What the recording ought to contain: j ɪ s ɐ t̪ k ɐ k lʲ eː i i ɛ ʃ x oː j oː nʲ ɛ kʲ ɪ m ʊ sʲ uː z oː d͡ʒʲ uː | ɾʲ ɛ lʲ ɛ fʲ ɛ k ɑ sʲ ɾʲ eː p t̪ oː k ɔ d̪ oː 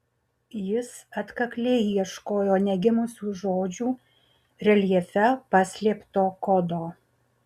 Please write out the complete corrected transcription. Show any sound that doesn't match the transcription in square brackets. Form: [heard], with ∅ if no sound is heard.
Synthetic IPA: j ɪ s ɐ t̪ k ɐ k lʲ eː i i ɛ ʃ [k] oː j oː nʲ ɛ [ɡʲ] ɪ m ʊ sʲ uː [ʒ] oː d͡ʒʲ uː | ɾʲ ɛ lʲ ɛ fʲ ɛ [p] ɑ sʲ [lʲ] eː p t̪ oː k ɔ d̪ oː